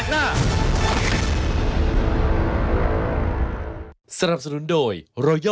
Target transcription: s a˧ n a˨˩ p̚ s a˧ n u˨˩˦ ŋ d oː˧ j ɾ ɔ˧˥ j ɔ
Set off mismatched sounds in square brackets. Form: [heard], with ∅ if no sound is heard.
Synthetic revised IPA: s a˧ n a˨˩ p̚ s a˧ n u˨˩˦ [n] d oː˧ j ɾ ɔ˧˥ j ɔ